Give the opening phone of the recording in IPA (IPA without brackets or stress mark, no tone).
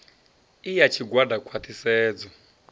i